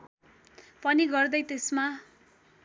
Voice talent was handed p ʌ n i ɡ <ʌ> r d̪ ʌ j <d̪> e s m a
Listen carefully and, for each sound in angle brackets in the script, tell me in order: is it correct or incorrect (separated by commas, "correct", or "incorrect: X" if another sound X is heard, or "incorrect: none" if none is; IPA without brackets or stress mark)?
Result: correct, incorrect: t̪